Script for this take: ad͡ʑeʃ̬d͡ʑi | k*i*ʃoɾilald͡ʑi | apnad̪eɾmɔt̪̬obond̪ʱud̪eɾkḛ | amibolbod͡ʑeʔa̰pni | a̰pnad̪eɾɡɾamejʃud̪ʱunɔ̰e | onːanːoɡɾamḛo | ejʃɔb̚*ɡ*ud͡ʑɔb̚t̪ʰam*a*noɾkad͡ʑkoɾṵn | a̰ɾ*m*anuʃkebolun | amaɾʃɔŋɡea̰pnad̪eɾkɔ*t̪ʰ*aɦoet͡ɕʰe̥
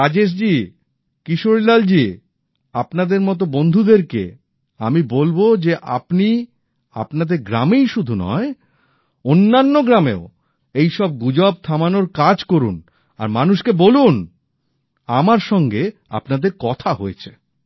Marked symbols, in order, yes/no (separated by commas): yes, yes, yes, yes, yes